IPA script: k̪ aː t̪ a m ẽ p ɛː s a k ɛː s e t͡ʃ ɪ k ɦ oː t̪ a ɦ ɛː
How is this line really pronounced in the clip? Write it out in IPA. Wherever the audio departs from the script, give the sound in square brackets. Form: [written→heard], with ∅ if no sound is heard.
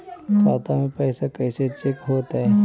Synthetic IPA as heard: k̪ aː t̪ a m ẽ p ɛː s a k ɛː s e t͡ʃ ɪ k ɦ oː t̪ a ɦ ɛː